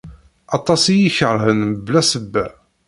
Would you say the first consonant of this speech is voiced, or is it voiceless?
voiceless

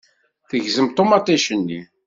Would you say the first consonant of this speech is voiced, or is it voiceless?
voiceless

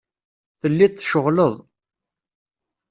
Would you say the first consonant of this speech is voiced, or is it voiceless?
voiceless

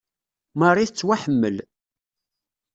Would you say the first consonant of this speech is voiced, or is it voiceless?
voiced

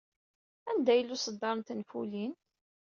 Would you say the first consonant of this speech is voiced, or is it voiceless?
voiced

